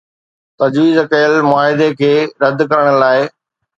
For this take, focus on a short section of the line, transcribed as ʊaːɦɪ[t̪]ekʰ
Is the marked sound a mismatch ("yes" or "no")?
yes